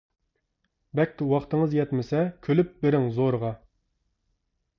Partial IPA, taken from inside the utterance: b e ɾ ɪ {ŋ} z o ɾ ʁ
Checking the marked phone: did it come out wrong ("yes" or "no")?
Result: no